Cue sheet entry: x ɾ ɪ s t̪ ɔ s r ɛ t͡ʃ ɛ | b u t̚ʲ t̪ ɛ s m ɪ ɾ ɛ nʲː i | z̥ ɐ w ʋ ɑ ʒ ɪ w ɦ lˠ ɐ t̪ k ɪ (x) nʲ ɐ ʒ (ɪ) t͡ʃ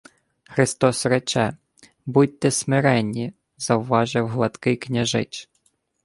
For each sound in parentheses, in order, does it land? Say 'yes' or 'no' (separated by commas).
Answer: no, yes